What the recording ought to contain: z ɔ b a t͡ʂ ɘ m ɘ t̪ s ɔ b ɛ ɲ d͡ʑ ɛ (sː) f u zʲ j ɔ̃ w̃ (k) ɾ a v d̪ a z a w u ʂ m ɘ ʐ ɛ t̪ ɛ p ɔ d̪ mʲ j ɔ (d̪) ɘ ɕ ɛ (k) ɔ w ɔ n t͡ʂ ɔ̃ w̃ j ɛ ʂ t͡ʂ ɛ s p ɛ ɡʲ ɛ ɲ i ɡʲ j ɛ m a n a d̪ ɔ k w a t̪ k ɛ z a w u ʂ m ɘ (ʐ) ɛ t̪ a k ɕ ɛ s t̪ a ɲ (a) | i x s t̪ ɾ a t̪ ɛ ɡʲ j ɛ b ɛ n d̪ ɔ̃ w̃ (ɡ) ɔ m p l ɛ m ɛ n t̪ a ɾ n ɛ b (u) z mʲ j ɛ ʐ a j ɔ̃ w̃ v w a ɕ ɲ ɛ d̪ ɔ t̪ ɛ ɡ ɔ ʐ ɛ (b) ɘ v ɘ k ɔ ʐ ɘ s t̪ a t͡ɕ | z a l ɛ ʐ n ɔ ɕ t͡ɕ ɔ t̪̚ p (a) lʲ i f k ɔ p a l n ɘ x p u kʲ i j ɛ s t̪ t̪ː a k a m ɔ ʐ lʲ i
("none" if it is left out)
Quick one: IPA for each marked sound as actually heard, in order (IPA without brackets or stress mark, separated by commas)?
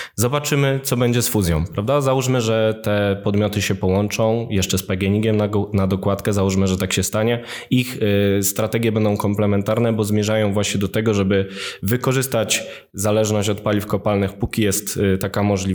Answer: s, p, t̪, p, ʐ, ɛ, k, ɔ, b, a